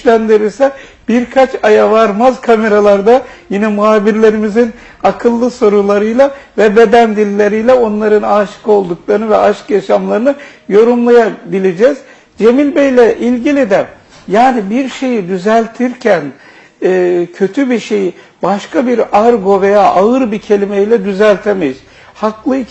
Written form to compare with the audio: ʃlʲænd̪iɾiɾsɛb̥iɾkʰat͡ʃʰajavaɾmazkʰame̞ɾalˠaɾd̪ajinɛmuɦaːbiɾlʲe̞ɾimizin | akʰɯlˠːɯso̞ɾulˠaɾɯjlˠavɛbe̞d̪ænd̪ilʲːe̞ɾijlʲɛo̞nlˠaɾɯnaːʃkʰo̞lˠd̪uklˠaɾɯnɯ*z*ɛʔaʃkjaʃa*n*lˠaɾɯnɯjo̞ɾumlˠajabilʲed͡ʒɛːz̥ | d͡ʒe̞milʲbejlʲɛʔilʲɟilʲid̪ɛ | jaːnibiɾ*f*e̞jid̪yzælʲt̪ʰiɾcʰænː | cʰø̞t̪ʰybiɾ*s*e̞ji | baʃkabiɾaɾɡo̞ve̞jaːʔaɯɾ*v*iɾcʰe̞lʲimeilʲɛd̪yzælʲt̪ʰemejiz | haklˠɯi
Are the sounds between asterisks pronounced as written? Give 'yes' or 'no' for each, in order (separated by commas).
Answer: no, no, no, no, no